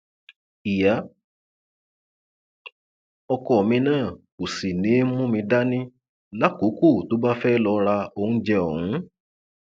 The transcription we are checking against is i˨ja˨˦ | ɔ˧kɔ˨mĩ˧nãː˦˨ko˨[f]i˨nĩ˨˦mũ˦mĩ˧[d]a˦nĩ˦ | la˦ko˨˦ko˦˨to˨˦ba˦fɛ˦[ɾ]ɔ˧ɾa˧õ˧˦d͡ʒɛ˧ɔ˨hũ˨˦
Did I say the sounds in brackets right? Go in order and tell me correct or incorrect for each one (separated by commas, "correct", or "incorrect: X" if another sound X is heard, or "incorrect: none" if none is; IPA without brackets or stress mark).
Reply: incorrect: s, correct, incorrect: l